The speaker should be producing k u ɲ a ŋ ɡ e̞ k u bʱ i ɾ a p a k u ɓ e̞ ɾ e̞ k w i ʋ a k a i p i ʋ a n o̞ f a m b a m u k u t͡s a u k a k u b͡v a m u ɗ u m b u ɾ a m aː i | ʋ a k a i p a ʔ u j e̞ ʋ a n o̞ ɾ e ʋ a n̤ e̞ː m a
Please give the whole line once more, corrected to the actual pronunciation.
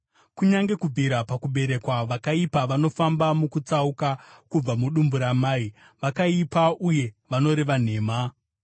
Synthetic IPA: k u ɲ a ŋ ɡ e̞ k u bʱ i ɾ a p a k u ɓ e̞ ɾ e̞ k w a ʋ a k a i p a ʋ a n o̞ f a m b a m u k u t͡s a u k a k u b͡v a m u ɗ u m b u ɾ a m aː i | ʋ a k a i p a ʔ u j e̞ ʋ a n o̞ ɾ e ʋ a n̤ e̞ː m a

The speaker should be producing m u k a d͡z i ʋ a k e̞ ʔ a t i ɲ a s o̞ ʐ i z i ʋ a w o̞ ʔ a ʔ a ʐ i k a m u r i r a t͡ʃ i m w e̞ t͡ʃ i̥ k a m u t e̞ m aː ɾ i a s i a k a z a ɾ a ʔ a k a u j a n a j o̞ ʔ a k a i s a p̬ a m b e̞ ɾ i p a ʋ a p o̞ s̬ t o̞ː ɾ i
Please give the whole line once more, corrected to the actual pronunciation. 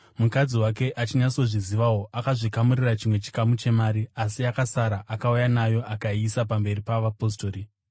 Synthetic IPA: m u k a d͡z i w a k e̞ ʔ a t͡ʃ i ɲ a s o̞ ʐ i z i ʋ a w o̞ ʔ a k a ʐ i k a m u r i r a t͡ʃ i m w e̞ t͡ʃ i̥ k a m u t͡ʃ e̞ m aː ɾ i a s i a k a s a ɾ a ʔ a k a u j a n a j o̞ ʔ a k a i s a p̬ a m b e̞ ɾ i p a ʋ a p o̞ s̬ t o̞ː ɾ i

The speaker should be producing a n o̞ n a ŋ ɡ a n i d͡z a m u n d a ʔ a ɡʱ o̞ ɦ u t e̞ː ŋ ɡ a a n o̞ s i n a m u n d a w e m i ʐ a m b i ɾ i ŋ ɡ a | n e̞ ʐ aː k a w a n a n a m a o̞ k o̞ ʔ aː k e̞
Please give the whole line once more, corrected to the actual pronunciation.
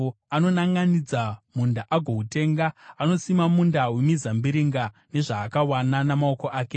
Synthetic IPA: a n o̞ n a ŋ ɡ a n i d͡z a m u n d a ʔ a ɡʱ o̞ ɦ u t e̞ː ŋ ɡ a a n o̞ s i m a m u n d a w e m i z a m b i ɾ i ŋ ɡ a | n e̞ ʐ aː k a w a n a n a m a o̞ k o̞ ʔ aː k e̞

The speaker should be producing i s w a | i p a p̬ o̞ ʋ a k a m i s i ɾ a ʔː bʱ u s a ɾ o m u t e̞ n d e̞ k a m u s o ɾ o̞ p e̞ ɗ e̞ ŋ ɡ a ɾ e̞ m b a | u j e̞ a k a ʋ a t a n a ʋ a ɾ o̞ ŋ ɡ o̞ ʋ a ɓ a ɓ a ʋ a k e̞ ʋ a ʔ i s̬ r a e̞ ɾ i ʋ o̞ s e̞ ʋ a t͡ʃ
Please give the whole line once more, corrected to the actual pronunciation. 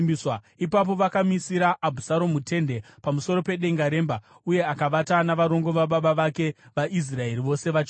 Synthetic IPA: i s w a | i p a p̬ o̞ ʋ a k a m i s i ɾ a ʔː bʱ u s a ɾ o m u t e̞ n d e̞ p a m u s o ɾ o̞ p e̞ ɗ e̞ ŋ ɡ a ɾ e̞ m b a | u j e̞ a k a ʋ a t a n a ʋ a ɾ o̞ ŋ ɡ o̞ ʋ a ɓ a ɓ a ʋ a k e̞ ʋ a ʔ i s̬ r a e̞ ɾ i ʋ o̞ s e̞ ʋ a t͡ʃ

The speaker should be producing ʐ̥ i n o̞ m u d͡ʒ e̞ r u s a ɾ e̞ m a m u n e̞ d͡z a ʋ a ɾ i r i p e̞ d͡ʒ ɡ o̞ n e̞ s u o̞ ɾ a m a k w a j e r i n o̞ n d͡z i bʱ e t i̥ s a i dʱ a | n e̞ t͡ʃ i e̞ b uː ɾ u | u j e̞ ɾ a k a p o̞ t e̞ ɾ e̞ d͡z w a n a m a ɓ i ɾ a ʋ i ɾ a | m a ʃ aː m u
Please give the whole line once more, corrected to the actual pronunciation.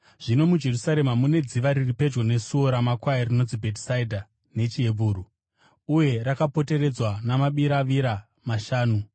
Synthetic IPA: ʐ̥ i n o̞ m u d͡ʒ e̞ r u s a ɾ e̞ m a m u n e̞ d͡z i ʋ a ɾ i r i p e̞ d͡ʒ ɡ o̞ n e̞ s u o̞ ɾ a m a k w a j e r i n o̞ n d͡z i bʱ e t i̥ s a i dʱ a | n e̞ t͡ʃ i e̞ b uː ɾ u | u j e̞ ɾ a k a p o̞ t e̞ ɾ e̞ d͡z w a n a m a ɓ i ɾ a ʋ i ɾ a | m a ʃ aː n u

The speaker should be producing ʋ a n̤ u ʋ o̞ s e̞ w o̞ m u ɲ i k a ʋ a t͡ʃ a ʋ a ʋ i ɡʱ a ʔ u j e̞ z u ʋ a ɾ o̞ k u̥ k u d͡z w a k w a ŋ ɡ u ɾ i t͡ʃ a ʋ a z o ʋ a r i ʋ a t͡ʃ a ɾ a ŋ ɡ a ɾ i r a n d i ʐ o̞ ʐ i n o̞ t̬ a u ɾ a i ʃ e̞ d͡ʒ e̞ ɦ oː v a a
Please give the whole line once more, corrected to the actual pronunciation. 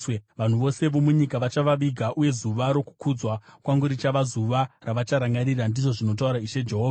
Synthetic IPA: ʋ a n̤ u ʋ o̞ s e̞ ʋ o̞ m u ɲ i k a ʋ a t͡ʃ a ʋ a ʋ i ɡʱ a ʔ u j e̞ z u ʋ a ɾ o̞ k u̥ k u d͡z w a k w a ŋ ɡ u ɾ i t͡ʃ a ʋ a z u ʋ a r a ʋ a t͡ʃ a ɾ a ŋ ɡ a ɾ i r a n d i ʐ o̞ ʐ i n o̞ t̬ a u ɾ a i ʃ e̞ d͡ʒ e̞ ɦ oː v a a

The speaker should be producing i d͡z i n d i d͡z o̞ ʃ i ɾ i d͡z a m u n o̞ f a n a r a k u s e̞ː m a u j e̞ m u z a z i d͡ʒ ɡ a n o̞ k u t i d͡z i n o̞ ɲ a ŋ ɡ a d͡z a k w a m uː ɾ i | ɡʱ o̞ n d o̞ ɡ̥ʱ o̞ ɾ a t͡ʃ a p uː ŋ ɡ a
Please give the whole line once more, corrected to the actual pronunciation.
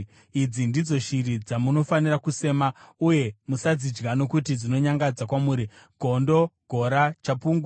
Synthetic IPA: i d͡z i n d i d͡z o̞ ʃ i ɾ i d͡z a m u n o̞ f a n i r a k u s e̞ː m a u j e̞ m u s a d͡z i d͡ʒ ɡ a n o̞ k u t i d͡z i n o̞ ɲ a ŋ ɡ a d͡z a k w a m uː ɾ i | ɡʱ o̞ n d o̞ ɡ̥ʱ o̞ ɾ a t͡ʃ a p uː ŋ ɡ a

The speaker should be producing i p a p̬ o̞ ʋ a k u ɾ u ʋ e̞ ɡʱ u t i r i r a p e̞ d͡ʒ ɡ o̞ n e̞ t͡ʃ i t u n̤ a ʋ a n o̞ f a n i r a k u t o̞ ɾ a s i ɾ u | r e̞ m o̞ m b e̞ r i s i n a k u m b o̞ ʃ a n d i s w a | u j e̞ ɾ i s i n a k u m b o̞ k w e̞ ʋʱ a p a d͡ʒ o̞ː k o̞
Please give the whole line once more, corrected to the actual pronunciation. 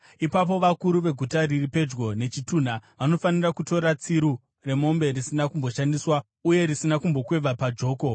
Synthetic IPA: i p a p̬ o̞ ʋ a k u ɾ u ʋ e̞ ɡʱ u t a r i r i p e̞ d͡ʒ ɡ o̞ n e̞ t͡ʃ i t u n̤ a ʋ a n o̞ f a n i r a k u t o̞ ɾ a t͡s i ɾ u | r e̞ m o̞ m b e̞ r i s i n a k u m b o̞ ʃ a n d i s w a | u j e̞ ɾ i s i n a k u m b o̞ k w e̞ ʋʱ a p a d͡ʒ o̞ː k o̞

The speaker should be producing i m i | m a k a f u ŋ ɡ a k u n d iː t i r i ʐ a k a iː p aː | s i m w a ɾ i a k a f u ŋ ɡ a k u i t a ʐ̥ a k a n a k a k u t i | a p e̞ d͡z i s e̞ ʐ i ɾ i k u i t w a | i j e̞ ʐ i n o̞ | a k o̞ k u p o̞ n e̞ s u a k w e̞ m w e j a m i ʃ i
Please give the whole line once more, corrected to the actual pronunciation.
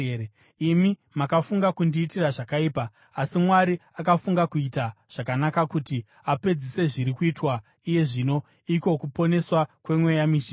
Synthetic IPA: i m i | m a k a f u ŋ ɡ a k u n d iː t i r a ʐ a k a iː p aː | s i m w a ɾ i a k a f u ŋ ɡ a k u i t a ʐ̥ a k a n a k a k u t i | a p e̞ d͡z i s e̞ ʐ i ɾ i k u i t w a | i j e̞ ʐ i n o̞ | i k o̞ k u p o̞ n e̞ s w a k w e̞ m w e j a m i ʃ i

